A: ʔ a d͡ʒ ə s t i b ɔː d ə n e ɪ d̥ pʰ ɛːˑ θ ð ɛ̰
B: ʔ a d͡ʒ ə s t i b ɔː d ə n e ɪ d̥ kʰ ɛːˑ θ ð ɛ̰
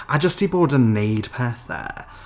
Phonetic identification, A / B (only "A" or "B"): A